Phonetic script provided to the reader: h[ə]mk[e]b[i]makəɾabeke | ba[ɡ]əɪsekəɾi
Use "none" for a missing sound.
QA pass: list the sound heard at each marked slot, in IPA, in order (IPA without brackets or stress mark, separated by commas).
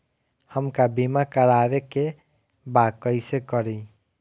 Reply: ə, a, i, k